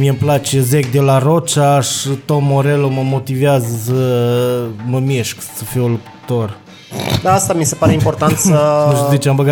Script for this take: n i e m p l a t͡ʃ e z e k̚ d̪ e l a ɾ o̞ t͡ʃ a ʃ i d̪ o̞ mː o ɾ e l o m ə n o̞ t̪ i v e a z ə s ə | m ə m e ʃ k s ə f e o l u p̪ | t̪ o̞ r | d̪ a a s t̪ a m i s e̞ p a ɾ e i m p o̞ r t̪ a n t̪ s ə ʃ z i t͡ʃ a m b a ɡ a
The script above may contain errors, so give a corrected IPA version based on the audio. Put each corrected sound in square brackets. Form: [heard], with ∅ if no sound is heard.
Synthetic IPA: [m] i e m p l a t͡ʃ e z e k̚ d̪ e l a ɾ o̞ t͡ʃ a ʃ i [t̪] o̞ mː o ɾ e l o m ə [m] o̞ t̪ i v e a z ə s ə | m ə m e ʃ k s ə f [i] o l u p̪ | t̪ o̞ r | d̪ a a s t̪ a m i s e̞ p a ɾ e i m p o̞ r t̪ a n t̪ s ə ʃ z i t͡ʃ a m b [ə] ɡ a